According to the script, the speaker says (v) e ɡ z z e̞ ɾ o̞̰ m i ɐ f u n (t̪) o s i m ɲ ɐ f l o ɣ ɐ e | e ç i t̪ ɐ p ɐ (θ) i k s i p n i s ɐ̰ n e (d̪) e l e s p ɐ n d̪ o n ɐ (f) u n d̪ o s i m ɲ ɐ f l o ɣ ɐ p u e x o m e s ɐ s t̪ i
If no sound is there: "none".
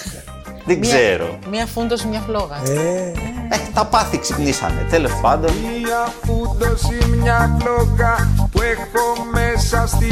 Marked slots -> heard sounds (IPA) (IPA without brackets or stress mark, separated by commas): ð, d̪, θ, t̪, f